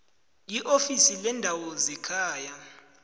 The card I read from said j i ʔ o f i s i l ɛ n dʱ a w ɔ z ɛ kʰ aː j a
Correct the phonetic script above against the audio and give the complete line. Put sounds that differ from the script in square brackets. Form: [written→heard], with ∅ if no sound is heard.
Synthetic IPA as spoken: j i ʔ o f i s i l ɛ n dʱ a w ɔ z ɛ kʰ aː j a